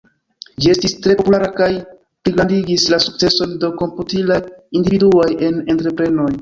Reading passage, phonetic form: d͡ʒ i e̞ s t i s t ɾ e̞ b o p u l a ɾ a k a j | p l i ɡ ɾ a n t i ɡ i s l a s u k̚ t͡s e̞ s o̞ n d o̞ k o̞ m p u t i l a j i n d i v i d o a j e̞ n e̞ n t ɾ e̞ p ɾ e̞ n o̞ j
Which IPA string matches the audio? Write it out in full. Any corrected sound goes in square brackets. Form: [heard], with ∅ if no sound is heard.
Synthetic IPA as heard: d͡ʒ i e̞ s t i s t ɾ e̞ [p] o p u l a ɾ a k a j | p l i ɡ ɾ a n [d] i ɡ i s l a s u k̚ t͡s e̞ s o̞ n d o̞ k o̞ m p u t i l a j i n d i v i d [u] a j e̞ n e̞ n t ɾ e̞ p ɾ e̞ n o̞ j